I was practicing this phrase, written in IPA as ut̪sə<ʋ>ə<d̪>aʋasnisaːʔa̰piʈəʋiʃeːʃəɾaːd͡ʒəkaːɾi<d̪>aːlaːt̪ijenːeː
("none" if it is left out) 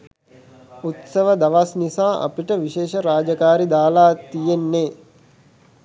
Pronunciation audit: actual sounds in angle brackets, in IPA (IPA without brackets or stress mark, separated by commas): ʋ, d̪, d̪